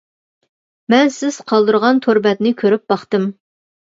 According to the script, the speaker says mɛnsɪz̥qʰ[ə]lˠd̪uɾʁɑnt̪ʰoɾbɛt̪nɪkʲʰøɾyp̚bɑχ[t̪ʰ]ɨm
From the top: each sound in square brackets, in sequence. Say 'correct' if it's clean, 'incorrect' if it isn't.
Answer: incorrect, incorrect

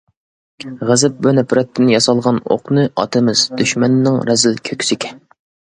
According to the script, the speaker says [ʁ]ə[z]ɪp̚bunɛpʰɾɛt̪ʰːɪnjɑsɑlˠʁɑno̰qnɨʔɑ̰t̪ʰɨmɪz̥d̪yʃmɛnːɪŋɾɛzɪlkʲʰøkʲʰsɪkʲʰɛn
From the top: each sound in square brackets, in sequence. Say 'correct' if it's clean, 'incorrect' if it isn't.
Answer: correct, correct

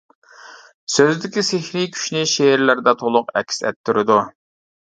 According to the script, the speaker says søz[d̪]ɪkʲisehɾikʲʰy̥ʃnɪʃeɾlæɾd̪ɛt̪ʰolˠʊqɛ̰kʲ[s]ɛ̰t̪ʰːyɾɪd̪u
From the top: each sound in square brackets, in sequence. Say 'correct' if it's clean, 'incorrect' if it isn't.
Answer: correct, correct

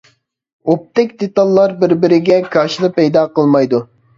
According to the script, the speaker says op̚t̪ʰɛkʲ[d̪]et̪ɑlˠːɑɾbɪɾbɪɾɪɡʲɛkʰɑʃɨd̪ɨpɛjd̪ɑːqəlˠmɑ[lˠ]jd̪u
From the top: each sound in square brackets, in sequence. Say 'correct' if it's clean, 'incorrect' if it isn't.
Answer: correct, incorrect

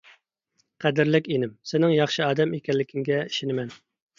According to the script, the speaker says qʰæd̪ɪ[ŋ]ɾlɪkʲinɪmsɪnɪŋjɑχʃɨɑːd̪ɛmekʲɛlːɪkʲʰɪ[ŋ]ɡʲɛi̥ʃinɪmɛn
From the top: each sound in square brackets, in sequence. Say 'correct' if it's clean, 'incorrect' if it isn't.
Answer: incorrect, correct

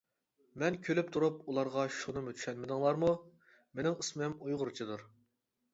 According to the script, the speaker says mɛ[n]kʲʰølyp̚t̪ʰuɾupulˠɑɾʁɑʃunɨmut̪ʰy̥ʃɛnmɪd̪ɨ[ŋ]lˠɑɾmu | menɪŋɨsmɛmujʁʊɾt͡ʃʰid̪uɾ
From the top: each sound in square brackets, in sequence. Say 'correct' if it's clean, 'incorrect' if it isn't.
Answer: correct, correct

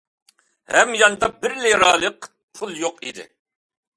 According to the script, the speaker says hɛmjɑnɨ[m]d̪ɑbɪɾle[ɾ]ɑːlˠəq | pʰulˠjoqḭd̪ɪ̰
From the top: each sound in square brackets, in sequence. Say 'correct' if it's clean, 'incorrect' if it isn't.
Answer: incorrect, correct

